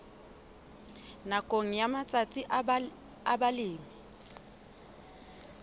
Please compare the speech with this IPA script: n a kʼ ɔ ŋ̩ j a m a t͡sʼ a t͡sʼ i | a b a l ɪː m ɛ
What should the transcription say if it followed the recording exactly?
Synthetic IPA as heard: n a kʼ o ŋ̩ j a m a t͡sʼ a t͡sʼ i | a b a l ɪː m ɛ